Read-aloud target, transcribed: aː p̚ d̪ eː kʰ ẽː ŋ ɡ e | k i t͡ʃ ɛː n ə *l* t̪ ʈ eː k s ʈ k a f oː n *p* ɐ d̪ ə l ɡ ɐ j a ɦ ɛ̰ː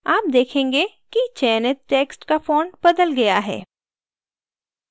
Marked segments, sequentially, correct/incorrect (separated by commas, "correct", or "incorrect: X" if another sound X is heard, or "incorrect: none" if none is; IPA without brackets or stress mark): incorrect: none, incorrect: b